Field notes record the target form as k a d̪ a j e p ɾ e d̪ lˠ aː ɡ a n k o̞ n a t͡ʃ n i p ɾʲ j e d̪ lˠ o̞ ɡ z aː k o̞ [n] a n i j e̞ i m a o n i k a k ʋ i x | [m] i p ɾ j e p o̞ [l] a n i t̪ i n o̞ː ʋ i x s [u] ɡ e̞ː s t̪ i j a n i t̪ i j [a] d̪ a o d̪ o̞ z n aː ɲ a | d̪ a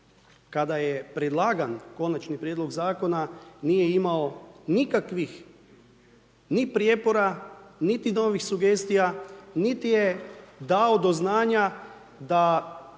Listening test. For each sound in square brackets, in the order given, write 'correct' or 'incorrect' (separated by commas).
correct, incorrect, incorrect, correct, incorrect